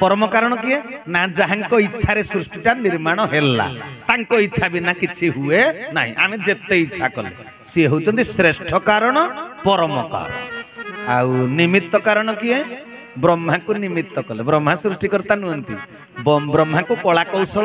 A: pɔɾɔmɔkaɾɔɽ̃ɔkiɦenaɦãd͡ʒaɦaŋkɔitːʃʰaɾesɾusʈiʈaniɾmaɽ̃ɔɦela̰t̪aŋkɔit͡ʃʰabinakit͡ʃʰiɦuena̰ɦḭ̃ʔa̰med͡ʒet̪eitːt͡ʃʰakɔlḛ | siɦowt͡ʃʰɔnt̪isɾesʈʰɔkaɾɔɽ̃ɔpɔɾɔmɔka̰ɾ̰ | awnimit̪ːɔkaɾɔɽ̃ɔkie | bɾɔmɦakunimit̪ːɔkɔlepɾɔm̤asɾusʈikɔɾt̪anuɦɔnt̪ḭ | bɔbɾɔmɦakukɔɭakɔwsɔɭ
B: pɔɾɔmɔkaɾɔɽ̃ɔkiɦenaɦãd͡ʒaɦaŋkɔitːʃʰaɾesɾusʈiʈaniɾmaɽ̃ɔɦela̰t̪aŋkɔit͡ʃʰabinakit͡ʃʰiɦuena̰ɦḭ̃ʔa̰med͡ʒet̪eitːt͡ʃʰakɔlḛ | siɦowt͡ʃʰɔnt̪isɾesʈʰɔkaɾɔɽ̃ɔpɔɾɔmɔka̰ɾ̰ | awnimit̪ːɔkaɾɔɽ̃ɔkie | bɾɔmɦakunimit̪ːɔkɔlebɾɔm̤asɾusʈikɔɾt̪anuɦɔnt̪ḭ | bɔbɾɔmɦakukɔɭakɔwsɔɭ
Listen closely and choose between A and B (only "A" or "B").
B